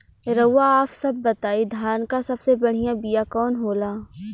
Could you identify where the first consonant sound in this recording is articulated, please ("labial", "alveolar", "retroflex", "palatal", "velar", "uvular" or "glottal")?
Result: alveolar